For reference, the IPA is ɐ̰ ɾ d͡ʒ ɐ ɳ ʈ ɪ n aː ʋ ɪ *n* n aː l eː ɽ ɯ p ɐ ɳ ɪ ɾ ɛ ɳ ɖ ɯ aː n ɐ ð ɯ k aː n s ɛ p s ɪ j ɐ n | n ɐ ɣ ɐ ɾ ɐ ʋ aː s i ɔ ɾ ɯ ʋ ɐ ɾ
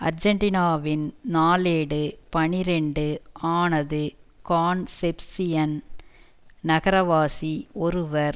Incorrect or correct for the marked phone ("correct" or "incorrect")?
correct